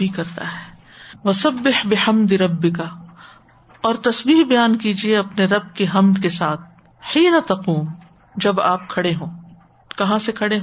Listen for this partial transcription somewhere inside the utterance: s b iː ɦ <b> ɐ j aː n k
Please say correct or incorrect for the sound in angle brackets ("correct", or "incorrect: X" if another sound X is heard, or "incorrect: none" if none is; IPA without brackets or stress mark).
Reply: correct